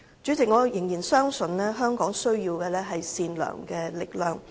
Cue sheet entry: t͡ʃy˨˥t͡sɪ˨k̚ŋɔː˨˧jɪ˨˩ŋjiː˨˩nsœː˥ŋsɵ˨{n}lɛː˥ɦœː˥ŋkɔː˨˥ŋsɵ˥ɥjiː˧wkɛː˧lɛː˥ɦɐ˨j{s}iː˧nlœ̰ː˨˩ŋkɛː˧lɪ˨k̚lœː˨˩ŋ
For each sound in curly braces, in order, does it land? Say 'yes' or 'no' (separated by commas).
yes, yes